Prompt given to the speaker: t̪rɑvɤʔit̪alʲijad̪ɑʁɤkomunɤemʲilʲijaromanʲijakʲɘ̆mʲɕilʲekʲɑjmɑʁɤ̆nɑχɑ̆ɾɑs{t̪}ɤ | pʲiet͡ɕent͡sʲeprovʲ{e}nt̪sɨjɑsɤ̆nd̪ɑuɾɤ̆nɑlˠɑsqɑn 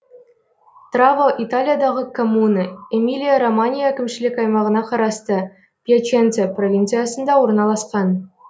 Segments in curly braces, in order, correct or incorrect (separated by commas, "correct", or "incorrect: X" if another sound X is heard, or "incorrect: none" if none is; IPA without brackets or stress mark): correct, incorrect: i